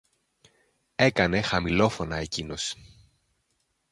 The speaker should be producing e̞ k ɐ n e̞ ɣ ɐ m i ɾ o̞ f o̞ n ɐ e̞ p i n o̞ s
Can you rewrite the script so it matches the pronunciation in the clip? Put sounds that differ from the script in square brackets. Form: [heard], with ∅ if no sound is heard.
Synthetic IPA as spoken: e̞ k ɐ n e̞ [x] ɐ m i [l] o̞ f o̞ n ɐ e̞ [c] i n o̞ s